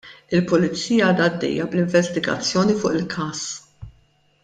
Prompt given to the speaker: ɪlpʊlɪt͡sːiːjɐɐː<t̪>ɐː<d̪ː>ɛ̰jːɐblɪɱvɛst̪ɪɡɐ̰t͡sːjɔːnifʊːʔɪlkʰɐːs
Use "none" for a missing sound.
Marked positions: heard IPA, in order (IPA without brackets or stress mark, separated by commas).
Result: d̪, d̪ː